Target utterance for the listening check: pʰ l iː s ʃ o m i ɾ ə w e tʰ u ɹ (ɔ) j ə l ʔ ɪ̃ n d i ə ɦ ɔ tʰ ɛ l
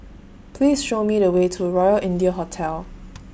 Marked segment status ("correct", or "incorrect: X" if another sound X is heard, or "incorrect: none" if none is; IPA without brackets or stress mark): correct